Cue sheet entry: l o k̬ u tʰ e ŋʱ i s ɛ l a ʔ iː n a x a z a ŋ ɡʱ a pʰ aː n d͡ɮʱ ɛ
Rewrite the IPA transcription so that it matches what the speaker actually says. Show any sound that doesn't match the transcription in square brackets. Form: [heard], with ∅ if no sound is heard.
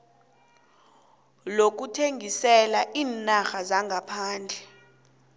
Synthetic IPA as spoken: l o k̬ u tʰ e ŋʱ i s ɛ l a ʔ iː n a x a z a ŋ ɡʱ a pʰ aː n d͡ɮʱ ɛ